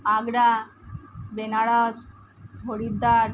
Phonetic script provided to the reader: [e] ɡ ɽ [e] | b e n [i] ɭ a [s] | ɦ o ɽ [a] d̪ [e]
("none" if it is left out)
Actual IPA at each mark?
a, a, a, s, i, a

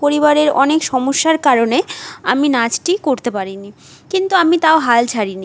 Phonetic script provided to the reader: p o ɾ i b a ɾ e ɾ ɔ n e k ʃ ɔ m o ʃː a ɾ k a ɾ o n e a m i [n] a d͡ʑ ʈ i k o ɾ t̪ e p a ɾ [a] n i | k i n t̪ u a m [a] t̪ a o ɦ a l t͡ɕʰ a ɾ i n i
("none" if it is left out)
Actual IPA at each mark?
n, i, i

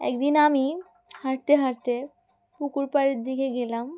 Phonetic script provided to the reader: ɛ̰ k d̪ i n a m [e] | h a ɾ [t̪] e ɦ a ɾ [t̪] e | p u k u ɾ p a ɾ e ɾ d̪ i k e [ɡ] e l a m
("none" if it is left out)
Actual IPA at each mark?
i, t̪, t̪, ɡ

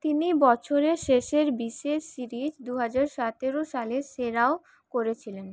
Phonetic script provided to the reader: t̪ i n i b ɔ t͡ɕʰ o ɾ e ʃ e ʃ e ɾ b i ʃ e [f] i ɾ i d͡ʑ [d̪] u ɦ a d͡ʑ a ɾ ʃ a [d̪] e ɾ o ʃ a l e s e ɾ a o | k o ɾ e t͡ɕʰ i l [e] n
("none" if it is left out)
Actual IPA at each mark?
s, d̪, t̪, e

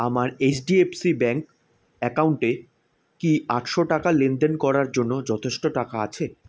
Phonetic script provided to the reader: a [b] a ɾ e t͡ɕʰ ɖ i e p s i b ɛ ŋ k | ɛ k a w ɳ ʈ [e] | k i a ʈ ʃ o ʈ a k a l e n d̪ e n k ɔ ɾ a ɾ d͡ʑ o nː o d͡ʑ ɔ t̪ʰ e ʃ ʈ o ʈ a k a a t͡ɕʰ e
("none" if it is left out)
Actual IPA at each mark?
m, e

